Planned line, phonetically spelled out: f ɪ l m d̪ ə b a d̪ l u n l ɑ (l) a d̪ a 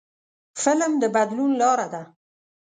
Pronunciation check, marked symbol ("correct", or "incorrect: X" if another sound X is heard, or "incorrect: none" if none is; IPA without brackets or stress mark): incorrect: ɾ